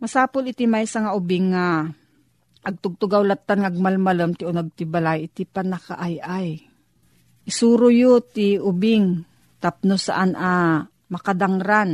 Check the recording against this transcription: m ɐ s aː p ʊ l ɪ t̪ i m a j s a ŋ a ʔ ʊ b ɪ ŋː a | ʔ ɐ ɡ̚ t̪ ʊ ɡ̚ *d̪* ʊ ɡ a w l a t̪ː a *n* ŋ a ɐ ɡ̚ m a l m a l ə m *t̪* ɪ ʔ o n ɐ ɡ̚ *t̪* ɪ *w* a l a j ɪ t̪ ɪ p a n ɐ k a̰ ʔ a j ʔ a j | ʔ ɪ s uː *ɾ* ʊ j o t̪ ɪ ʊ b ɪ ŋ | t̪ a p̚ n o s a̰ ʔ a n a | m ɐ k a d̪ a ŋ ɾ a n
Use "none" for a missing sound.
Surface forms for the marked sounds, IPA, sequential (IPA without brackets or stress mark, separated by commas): t̪, n, t̪, t̪, b, ɾ